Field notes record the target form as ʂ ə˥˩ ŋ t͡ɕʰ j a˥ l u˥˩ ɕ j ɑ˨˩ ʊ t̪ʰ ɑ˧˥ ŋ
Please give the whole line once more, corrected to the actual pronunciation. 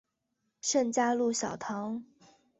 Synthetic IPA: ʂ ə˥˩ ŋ t͡ɕ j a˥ l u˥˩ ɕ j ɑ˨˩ ʊ t̪ʰ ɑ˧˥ ŋ